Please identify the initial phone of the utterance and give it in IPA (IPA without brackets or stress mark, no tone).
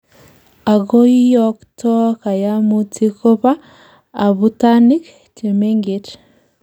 a